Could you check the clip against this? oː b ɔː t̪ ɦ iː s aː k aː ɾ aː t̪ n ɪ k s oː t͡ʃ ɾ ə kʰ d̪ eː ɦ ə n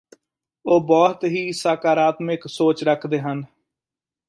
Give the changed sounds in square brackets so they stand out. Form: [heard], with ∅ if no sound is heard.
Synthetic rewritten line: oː b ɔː t̪ ɦ iː s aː k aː ɾ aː t̪ [m] ɪ k s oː t͡ʃ ɾ ə kʰ d̪ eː ɦ ə n